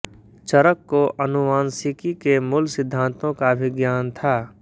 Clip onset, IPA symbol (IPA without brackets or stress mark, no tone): t͡ʃ